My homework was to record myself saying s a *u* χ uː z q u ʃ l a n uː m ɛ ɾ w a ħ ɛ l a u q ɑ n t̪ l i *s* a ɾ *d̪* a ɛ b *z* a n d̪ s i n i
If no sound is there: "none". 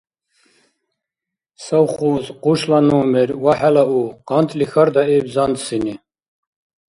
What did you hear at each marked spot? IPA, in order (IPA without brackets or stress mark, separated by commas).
w, x, d̪, z